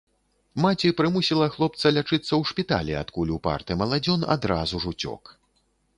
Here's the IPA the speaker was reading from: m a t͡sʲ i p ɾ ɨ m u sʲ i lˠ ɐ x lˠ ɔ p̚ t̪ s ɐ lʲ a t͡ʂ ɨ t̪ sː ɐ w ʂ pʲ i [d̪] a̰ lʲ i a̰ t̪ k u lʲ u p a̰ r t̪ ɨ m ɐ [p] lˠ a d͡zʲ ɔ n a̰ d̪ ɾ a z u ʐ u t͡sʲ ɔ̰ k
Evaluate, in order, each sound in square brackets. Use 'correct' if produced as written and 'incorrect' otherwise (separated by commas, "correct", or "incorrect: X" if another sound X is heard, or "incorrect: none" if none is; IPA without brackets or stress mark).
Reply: incorrect: t̪, incorrect: none